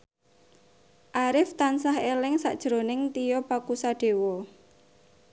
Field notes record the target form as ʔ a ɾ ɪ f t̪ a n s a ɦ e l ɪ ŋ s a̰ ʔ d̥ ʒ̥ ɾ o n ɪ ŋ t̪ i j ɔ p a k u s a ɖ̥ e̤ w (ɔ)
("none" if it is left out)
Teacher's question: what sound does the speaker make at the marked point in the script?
ɔ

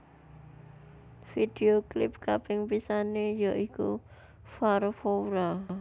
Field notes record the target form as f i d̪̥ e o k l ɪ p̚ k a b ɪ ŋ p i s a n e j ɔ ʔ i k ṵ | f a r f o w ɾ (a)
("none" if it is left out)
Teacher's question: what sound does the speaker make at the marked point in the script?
a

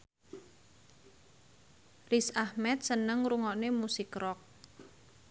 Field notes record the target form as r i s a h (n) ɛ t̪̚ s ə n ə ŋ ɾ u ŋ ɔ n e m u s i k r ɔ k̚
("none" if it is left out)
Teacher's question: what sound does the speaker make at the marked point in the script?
m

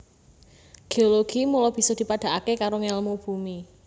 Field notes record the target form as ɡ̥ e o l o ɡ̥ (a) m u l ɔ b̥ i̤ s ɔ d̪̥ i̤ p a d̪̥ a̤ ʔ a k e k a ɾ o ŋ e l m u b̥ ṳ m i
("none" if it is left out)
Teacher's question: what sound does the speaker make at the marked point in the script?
i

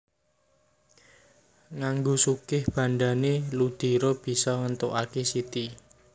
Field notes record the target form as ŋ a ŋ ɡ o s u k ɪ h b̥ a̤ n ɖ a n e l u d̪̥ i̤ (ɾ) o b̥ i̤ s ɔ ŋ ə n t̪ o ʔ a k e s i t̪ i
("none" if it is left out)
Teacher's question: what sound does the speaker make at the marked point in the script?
ɾ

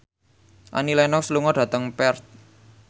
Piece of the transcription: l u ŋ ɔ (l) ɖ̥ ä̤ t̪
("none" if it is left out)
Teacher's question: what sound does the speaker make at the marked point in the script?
none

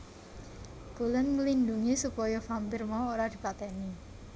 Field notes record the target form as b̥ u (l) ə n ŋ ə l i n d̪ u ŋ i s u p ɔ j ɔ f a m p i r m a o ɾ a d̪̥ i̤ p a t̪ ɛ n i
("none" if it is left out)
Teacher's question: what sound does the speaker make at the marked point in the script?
l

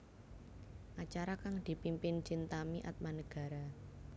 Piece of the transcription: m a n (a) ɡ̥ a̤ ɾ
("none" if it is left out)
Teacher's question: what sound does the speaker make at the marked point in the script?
ə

